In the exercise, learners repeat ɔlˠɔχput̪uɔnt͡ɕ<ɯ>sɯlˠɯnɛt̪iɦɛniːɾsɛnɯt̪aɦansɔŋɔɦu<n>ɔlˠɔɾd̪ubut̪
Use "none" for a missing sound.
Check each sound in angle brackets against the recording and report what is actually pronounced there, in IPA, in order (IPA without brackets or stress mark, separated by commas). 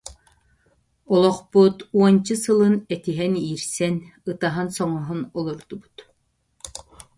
ɯ, n